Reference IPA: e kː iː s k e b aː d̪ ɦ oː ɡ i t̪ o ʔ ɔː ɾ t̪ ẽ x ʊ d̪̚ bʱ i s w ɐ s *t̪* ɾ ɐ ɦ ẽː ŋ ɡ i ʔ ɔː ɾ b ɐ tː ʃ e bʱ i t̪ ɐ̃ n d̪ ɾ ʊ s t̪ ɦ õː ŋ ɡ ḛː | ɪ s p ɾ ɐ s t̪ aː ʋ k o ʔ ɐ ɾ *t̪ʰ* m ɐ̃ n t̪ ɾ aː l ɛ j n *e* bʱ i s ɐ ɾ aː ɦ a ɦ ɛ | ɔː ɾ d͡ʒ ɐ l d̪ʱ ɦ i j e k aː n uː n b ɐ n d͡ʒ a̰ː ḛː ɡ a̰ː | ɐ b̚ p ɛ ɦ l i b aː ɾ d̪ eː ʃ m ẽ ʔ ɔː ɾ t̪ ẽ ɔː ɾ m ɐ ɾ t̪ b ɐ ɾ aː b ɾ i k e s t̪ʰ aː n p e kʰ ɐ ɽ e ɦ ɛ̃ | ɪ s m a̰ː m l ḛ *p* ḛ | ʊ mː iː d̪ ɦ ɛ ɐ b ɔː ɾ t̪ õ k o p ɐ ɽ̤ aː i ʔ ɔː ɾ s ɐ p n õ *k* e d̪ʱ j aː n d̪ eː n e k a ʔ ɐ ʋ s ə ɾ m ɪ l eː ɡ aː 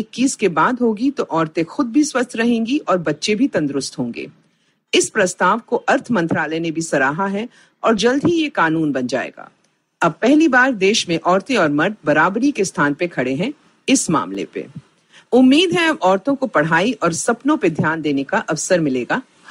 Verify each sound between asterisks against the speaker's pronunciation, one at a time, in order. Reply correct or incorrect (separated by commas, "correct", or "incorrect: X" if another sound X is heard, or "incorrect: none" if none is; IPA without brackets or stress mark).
incorrect: t̪ʰ, correct, correct, correct, incorrect: p